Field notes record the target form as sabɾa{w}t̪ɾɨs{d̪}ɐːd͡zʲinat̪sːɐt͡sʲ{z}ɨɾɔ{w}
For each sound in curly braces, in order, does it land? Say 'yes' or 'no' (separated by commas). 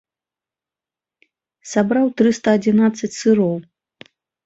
yes, no, no, yes